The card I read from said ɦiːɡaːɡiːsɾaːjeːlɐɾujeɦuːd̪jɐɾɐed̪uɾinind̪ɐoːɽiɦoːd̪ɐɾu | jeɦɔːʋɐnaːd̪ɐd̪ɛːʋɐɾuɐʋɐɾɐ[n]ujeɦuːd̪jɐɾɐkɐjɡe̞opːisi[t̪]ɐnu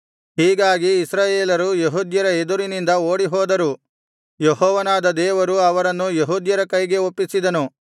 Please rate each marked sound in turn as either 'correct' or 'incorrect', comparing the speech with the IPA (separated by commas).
incorrect, incorrect